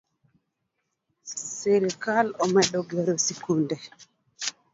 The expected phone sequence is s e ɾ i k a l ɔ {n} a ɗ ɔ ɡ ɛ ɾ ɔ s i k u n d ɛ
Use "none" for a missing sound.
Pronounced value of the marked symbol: m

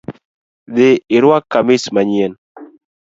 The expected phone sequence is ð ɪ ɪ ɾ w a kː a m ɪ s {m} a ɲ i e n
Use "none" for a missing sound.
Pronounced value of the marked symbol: m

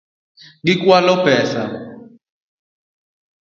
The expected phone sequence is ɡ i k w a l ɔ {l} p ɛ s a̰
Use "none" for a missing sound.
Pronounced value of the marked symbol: none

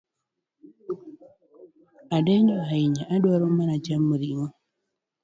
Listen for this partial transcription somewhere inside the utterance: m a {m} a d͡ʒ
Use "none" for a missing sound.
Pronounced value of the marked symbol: n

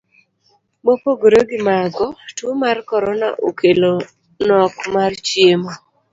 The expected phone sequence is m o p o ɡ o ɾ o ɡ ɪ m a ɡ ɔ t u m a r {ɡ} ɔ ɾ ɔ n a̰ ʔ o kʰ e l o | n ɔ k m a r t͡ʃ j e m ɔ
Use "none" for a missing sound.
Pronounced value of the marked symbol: k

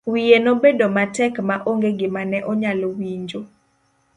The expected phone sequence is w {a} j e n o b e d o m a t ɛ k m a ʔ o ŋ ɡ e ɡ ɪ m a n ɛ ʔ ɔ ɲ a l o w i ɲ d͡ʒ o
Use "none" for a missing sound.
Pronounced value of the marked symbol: i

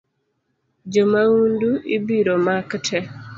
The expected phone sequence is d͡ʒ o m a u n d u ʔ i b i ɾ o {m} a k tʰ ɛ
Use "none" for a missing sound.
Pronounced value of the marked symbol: m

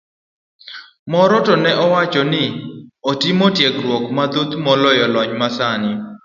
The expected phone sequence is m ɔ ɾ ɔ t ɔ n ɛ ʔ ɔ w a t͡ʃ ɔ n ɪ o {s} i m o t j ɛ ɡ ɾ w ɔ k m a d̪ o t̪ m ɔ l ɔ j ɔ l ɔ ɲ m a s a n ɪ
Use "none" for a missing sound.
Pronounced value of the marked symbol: t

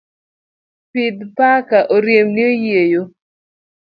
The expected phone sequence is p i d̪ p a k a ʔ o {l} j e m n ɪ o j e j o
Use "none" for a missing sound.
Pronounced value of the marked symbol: ɾ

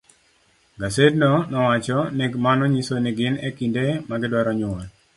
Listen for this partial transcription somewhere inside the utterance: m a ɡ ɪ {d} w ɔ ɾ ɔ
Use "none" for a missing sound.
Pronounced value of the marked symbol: d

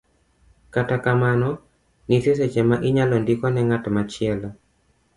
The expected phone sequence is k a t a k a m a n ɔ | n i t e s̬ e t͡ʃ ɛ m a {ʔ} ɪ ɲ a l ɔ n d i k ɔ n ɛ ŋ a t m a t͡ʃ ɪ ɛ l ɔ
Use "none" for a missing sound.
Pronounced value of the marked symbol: ʔ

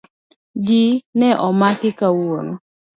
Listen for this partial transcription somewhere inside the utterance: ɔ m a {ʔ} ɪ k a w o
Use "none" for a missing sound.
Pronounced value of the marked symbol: k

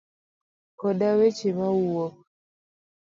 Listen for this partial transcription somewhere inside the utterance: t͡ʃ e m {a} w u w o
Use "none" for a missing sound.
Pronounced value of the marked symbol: a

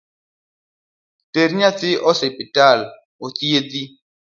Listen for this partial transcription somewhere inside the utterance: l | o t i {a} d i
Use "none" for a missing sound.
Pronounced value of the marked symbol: e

